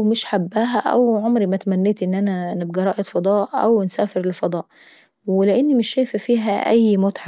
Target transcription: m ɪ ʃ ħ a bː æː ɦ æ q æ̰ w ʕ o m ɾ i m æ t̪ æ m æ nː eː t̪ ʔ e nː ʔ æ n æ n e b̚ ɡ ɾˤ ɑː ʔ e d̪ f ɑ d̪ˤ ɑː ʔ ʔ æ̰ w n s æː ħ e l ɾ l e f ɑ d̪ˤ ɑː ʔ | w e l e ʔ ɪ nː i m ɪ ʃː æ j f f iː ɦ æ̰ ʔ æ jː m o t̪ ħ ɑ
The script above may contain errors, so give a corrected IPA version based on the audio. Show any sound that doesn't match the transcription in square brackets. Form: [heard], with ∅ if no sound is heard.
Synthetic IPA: m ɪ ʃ ħ a bː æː ɦ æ [ʔ] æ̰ w ʕ o m ɾ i m æ t̪ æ m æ nː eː t̪ ʔ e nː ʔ æ n æ n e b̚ ɡ ɾˤ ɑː ʔ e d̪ f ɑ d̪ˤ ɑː ʔ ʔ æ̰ w n s æː [f] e [∅] ɾ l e f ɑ d̪ˤ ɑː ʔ | w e l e ʔ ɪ nː i m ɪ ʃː æ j f f iː ɦ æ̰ ʔ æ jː m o t̪ ħ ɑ

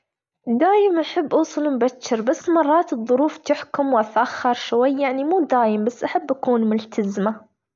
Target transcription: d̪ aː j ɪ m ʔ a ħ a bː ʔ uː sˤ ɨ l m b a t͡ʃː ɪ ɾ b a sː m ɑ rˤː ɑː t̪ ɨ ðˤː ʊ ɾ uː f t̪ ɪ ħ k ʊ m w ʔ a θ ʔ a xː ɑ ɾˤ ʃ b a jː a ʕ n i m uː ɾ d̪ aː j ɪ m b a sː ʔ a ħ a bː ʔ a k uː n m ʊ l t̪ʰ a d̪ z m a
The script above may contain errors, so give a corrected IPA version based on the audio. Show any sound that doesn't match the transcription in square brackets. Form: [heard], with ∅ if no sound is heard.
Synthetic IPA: d̪ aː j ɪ m ʔ a ħ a bː ʔ uː sˤ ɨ l m b a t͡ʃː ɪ ɾ b a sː m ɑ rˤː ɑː t̪ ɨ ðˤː ʊ ɾ uː f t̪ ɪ ħ k ʊ m w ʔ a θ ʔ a xː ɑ ɾˤ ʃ [w] a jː a ʕ n i m uː [∅] d̪ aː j ɪ m b a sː ʔ a ħ a bː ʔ a k uː n m ʊ l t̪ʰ a [∅] z m a

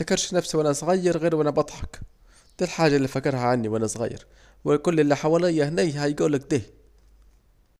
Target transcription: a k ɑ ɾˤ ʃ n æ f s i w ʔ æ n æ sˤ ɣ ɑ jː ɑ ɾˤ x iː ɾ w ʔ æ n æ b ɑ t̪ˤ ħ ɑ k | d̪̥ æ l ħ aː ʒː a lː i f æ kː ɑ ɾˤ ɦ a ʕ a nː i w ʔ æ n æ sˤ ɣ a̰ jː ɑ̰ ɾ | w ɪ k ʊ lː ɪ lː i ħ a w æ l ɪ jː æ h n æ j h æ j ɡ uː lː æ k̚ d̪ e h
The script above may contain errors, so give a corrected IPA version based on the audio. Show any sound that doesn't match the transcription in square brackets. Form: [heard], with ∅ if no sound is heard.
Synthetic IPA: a k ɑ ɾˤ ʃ n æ f s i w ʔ æ n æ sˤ ɣ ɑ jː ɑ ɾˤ [ɣ] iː ɾ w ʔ æ n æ b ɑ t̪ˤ ħ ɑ k | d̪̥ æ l ħ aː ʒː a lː i f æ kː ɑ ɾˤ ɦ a ʕ a nː i w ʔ æ n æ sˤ ɣ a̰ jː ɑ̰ ɾ | w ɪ k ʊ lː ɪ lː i ħ a w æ l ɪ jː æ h n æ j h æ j ɡ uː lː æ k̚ d̪ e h

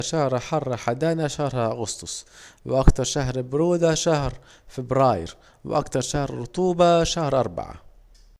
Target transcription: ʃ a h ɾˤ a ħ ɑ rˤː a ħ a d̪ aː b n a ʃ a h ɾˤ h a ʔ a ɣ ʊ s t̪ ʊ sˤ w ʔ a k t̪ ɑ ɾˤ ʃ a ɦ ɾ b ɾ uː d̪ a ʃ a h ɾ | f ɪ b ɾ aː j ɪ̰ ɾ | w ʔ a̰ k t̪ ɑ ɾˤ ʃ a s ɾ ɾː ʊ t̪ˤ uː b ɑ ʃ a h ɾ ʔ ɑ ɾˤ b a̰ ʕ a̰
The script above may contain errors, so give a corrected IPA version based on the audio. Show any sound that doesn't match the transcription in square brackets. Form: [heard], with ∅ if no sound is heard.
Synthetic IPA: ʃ a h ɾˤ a ħ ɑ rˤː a ħ a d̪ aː [∅] n a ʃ a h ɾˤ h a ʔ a ɣ ʊ s t̪ ʊ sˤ w ʔ a k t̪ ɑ ɾˤ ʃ a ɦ ɾ b ɾ uː d̪ a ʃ a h ɾ | f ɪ b ɾ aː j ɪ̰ ɾ | w ʔ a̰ k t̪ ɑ ɾˤ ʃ a [h] ɾ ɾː ʊ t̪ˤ uː b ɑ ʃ a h ɾ ʔ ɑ ɾˤ b a̰ ʕ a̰

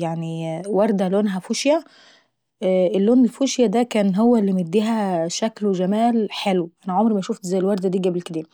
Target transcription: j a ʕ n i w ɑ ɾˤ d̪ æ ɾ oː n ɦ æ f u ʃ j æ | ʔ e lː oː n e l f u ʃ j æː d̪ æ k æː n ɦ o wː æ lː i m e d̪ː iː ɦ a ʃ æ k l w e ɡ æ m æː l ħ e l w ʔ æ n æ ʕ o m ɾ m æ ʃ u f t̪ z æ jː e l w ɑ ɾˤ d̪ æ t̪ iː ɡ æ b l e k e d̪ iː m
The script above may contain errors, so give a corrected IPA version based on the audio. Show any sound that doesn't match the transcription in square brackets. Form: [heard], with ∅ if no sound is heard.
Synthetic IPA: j a ʕ n i w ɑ ɾˤ d̪ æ [l] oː n ɦ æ f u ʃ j æ | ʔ e lː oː n e l f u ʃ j [æ] d̪ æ k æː n ɦ o wː æ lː i m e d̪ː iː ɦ [æ] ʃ æ k l w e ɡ æ m æː l ħ e l w ʔ æ n æ ʕ o m ɾ m æ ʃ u f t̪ z æ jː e l w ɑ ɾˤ d̪ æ [d̪] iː ɡ æ b l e k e d̪ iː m

